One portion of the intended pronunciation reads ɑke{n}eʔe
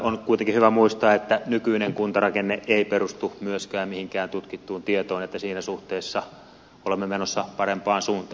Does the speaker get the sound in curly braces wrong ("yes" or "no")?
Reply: yes